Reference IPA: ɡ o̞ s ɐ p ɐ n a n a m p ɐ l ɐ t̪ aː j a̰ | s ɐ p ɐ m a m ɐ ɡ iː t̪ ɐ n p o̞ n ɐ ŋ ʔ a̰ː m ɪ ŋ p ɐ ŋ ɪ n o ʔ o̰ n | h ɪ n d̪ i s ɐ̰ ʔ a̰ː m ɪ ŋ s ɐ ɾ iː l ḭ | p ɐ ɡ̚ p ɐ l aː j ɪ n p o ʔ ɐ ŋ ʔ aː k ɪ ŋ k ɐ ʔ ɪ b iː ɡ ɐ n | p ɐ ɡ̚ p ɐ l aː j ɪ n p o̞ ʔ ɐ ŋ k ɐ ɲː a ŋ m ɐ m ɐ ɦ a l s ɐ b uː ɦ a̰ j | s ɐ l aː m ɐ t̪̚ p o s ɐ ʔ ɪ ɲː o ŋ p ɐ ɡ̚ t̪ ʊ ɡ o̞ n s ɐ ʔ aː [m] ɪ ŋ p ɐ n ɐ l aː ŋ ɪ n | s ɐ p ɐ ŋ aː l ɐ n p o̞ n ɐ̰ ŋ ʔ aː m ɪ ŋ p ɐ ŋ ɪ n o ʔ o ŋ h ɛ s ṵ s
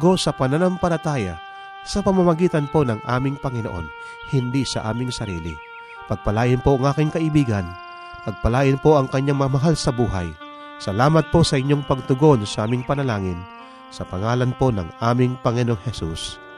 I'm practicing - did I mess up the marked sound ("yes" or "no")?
no